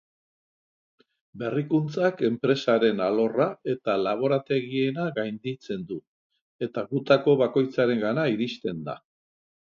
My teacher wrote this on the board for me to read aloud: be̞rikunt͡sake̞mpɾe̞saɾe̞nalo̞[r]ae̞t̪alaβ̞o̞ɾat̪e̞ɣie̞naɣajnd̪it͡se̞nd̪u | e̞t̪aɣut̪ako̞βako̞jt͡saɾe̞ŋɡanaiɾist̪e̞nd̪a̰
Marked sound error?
no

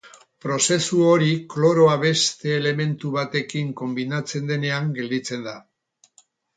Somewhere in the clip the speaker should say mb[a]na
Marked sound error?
yes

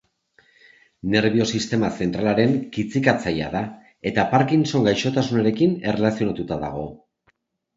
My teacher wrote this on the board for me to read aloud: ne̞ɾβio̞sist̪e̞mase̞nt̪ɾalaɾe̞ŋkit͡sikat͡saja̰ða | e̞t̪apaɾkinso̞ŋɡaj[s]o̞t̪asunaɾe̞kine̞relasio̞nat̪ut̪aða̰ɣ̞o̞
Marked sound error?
yes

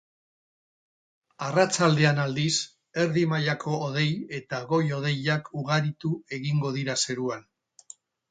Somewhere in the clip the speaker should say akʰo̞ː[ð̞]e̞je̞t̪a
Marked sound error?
no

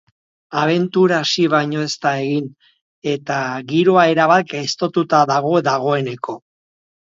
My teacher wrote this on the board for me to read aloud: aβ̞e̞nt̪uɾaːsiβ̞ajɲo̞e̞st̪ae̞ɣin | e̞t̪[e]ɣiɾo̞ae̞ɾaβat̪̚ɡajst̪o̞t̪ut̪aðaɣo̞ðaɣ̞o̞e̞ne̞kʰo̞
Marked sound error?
yes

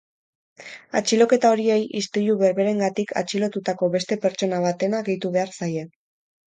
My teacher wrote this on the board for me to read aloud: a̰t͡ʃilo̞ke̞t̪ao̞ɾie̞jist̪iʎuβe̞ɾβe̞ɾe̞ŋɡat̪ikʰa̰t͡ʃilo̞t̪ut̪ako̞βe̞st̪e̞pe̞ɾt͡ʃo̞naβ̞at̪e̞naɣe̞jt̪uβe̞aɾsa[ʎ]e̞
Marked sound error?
yes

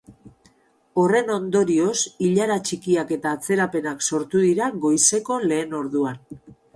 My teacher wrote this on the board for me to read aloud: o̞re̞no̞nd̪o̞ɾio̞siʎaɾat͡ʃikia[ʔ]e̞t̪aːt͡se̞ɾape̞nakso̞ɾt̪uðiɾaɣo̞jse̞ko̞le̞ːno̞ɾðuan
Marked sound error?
yes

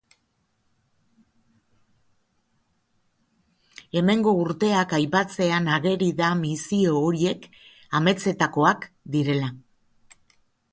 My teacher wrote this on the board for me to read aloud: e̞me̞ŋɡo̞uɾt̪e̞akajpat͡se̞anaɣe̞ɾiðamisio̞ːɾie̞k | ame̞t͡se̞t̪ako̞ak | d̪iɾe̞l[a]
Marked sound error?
no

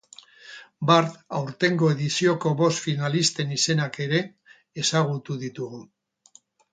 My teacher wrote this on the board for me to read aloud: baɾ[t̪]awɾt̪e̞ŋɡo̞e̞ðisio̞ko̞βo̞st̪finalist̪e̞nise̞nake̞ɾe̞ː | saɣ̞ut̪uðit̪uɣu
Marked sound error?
no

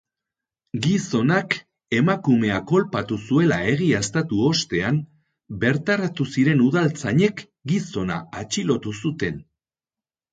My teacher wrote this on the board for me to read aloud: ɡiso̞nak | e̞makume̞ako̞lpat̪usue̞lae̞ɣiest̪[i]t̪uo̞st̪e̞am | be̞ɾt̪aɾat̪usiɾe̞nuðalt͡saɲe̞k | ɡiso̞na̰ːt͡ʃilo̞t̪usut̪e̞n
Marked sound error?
yes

